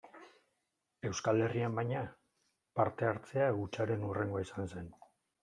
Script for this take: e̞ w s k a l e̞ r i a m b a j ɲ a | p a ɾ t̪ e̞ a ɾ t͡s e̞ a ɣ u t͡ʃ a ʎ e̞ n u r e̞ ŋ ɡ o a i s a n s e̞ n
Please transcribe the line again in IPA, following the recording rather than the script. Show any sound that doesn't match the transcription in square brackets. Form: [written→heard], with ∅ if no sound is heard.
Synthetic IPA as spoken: e̞ w s k a l e̞ r i a m b a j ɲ a | p a ɾ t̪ e̞ a ɾ t͡s e̞ a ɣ u t͡ʃ a [ʎ→ɾ] e̞ n u r e̞ ŋ ɡ o a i s a n s e̞ n